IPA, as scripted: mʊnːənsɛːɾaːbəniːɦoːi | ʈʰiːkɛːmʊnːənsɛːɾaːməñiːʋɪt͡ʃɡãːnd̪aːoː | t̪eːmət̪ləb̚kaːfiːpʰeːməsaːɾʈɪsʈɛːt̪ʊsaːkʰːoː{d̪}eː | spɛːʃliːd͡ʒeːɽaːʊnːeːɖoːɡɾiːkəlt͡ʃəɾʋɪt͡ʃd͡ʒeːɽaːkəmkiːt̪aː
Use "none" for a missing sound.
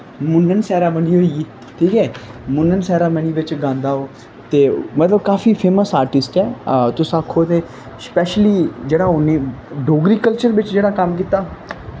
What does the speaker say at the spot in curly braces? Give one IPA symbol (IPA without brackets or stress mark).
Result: t̪